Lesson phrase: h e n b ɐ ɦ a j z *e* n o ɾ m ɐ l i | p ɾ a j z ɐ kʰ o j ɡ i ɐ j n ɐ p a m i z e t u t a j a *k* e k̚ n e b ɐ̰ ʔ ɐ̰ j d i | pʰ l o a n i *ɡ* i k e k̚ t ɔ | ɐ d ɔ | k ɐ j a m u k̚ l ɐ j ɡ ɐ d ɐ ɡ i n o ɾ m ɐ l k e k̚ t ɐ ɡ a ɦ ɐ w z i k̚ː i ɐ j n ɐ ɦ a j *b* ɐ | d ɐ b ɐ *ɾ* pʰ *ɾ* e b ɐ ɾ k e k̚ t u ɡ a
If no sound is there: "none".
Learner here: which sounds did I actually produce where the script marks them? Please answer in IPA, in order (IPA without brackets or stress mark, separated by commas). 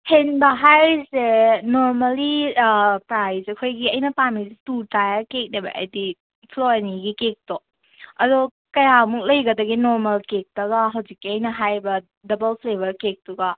e, k, ɡ, b, l, l